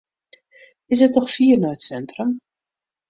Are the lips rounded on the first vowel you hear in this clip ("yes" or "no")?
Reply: no